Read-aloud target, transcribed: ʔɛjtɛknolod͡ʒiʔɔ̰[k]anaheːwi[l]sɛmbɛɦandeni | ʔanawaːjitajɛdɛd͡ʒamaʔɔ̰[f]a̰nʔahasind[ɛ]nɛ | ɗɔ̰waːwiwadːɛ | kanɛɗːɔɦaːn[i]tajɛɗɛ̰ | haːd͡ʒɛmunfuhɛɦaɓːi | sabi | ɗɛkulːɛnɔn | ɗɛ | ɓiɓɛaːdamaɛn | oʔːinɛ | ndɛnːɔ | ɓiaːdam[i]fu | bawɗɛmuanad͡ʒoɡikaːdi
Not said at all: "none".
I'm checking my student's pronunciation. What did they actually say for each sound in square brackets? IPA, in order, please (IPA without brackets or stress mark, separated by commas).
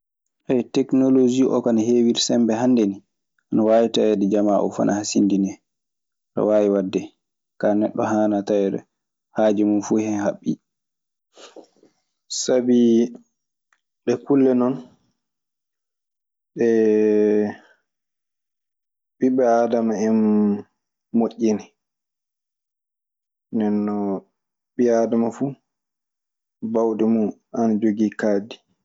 k, ɾ, f, i, a, a